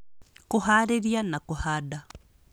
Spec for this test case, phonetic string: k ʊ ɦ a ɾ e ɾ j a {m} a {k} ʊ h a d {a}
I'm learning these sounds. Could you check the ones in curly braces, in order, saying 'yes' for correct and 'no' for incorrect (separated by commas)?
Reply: no, yes, yes